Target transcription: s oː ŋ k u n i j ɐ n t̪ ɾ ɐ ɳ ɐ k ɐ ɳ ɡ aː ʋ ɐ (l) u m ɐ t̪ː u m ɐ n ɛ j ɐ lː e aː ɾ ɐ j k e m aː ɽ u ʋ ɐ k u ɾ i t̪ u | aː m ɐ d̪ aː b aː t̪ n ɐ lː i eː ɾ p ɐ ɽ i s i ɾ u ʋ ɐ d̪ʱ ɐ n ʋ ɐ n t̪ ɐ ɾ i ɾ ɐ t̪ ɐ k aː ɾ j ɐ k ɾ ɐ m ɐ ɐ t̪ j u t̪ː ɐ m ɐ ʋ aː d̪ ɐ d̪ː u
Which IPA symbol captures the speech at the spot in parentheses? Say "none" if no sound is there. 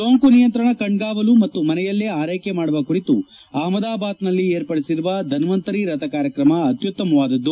l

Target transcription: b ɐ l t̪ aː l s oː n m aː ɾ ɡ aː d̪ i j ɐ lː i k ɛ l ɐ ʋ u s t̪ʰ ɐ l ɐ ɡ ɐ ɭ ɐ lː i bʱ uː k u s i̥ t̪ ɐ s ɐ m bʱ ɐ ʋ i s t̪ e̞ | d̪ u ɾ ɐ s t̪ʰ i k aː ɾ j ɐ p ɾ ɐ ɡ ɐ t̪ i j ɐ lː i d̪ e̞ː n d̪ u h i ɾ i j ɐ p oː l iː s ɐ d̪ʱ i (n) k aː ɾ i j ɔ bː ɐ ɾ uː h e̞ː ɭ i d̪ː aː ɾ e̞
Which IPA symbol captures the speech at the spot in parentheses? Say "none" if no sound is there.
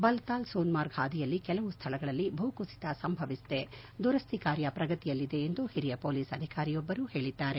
none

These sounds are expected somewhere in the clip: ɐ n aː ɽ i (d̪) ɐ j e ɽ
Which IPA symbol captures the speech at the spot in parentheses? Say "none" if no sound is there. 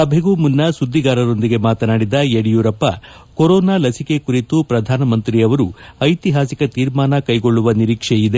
d̪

